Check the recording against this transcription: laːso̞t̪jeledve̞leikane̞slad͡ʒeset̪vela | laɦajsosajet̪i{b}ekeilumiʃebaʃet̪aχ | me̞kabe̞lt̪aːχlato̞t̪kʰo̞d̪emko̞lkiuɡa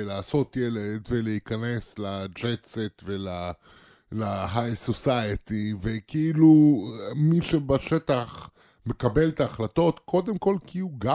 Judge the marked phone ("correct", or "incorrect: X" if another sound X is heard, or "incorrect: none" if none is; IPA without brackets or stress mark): incorrect: v